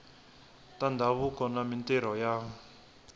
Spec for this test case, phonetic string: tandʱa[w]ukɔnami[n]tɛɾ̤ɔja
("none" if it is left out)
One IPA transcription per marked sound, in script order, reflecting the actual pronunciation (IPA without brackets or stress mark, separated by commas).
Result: β, n